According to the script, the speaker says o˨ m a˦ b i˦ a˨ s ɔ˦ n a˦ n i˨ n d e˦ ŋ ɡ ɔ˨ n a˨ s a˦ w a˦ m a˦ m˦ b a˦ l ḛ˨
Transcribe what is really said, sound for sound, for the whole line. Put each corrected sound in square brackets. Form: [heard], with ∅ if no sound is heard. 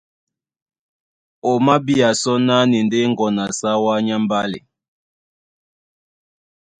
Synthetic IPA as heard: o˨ m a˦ b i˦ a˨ s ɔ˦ n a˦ n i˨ n d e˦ ŋ ɡ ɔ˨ n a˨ s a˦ w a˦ [ɲ] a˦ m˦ b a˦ l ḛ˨